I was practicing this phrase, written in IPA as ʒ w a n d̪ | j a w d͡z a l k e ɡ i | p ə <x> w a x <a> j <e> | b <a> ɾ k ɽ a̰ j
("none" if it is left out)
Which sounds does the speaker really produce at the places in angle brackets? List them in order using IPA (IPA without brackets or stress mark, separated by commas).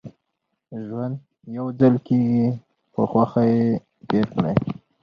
x, a, e, e